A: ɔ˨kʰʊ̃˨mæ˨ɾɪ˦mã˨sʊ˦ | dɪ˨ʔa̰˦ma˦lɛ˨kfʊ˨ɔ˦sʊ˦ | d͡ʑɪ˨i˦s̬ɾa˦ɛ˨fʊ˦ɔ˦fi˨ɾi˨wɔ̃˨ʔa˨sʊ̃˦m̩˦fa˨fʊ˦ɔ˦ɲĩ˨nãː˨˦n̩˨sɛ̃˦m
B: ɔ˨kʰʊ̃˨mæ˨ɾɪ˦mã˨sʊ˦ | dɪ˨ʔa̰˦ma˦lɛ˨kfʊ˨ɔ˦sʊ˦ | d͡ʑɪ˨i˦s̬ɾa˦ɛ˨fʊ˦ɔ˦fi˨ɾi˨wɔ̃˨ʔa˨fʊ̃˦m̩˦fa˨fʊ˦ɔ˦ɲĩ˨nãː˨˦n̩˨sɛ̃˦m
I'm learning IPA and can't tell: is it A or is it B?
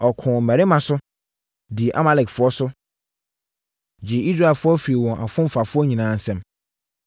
B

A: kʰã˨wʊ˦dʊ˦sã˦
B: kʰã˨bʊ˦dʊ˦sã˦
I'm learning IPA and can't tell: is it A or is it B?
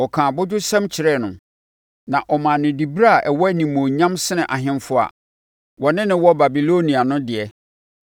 B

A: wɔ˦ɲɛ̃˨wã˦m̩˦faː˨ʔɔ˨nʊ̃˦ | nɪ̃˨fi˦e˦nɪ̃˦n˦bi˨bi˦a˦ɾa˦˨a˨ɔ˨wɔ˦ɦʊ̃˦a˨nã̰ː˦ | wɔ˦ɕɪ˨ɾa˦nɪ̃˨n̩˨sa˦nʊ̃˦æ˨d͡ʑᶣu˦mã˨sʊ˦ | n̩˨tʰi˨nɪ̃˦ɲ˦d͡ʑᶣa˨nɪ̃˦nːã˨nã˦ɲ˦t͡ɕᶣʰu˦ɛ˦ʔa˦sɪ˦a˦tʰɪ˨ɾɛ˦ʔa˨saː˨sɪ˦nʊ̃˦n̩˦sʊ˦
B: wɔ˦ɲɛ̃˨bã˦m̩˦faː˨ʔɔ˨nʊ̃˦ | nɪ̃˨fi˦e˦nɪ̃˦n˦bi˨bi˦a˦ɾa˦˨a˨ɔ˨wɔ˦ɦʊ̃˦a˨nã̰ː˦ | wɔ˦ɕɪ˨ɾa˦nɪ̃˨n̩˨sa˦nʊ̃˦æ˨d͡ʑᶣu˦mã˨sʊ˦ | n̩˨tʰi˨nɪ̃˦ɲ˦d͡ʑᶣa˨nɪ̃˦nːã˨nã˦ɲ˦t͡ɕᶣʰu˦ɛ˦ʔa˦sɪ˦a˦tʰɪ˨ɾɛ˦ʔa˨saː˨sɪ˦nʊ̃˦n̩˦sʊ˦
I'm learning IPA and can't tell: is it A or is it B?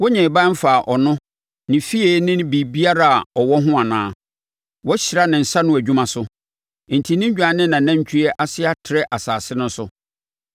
B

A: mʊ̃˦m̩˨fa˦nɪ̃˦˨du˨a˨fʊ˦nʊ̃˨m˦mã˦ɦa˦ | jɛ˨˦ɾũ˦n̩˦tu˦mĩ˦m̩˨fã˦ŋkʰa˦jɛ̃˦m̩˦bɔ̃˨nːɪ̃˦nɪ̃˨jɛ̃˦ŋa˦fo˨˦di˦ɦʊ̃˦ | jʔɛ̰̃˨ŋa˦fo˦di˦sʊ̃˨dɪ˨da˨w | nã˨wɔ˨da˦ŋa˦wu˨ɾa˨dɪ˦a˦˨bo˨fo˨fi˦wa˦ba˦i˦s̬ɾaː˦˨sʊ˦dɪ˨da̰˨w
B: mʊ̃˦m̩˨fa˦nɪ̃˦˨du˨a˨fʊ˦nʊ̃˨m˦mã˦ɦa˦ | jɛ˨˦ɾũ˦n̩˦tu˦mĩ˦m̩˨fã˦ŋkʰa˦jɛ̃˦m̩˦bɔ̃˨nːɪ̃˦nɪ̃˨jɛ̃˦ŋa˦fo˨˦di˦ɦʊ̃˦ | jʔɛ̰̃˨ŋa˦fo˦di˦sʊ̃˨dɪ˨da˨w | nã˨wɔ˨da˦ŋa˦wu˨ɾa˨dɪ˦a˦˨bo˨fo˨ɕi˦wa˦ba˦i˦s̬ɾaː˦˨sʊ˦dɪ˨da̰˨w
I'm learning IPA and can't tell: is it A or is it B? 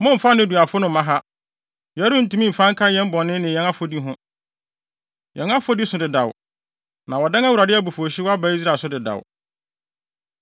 B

